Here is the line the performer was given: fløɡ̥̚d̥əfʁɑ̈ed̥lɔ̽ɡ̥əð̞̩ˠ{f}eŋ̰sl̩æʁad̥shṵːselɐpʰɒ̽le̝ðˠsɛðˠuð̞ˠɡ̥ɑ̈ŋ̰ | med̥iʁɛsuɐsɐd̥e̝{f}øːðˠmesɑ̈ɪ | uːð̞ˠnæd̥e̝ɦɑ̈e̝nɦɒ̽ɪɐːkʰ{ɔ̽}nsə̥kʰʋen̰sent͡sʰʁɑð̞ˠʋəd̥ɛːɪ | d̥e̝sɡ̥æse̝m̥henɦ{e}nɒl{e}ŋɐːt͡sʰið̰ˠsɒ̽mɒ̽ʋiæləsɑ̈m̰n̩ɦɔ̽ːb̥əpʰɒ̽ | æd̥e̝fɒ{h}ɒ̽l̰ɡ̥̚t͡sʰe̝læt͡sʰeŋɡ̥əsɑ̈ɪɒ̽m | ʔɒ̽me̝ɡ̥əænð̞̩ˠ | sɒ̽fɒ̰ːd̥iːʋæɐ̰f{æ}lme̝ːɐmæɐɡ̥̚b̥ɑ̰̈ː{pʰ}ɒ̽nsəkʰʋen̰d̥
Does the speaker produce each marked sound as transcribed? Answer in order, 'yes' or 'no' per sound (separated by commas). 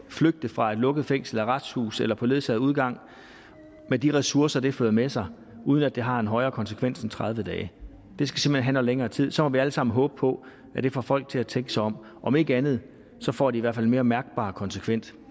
yes, yes, no, no, yes, no, yes, no